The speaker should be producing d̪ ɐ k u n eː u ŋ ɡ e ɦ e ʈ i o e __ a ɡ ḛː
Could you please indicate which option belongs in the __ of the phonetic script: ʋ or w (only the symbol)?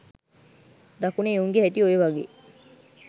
ʋ